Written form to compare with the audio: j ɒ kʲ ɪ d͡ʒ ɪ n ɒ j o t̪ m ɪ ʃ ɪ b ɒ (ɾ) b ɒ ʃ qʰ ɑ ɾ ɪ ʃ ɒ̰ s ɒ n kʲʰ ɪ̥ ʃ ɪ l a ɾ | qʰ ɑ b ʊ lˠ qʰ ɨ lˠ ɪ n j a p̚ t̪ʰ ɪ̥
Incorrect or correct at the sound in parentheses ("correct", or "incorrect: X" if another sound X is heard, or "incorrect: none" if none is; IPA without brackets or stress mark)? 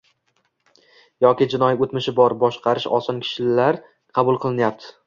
correct